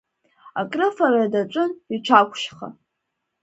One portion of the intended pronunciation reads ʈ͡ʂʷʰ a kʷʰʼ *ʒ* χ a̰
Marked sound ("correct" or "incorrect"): incorrect